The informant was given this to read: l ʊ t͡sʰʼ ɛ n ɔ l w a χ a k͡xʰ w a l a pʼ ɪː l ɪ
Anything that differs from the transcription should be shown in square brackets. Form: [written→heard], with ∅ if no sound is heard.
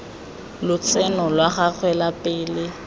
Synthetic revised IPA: l ʊ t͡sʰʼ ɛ n ɔ l w a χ a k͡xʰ w [a→ɛ] l a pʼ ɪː l ɪ